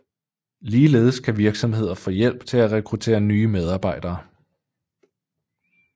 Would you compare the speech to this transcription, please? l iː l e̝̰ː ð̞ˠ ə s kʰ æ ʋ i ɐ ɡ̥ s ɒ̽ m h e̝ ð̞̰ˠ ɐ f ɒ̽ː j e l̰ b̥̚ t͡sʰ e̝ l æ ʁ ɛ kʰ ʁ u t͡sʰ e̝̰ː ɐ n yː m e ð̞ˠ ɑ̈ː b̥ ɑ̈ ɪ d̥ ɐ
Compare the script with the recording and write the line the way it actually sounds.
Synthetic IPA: l iː l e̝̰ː ð̞ˠ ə s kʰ æ ʋ i ɐ ɡ̥ s ɒ̽ m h e̝ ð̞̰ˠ ɐ f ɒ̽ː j e l̰ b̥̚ t͡sʰ e̝ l æ ʁ ɛ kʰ ʁ u t͡sʰ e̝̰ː ɐ n yː m e ð̞ˠ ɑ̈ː b̥ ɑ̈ ɪ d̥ ɐː